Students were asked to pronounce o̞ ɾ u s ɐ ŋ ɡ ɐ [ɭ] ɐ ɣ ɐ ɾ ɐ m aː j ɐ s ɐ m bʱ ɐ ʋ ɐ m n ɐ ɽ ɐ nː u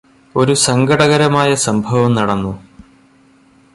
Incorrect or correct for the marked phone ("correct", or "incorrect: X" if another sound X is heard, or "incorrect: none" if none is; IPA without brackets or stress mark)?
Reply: incorrect: ɽ